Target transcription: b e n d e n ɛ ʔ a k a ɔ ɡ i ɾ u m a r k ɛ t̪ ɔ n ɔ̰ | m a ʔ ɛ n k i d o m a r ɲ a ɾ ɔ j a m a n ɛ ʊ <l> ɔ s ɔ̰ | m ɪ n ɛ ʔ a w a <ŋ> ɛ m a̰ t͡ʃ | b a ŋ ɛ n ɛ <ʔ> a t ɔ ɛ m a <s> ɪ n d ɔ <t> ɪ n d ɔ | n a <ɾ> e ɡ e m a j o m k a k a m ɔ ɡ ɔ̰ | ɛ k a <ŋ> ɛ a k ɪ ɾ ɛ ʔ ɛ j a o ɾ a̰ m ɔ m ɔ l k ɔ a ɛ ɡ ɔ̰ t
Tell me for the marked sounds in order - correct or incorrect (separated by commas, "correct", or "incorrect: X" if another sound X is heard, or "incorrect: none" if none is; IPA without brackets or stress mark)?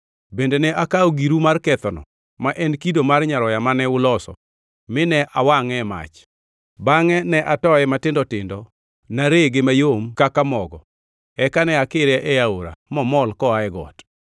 correct, correct, correct, incorrect: t, correct, correct, incorrect: n